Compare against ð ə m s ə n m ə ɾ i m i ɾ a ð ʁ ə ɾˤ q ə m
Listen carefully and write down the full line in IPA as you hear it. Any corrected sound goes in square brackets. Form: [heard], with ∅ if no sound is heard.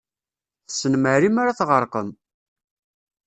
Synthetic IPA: [θ] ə [∅] s ə n m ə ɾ i m [a] ɾ a [θ] ʁ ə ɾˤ q ə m